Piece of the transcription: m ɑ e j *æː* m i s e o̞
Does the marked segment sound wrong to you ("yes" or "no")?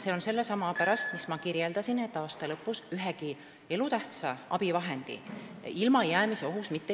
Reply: no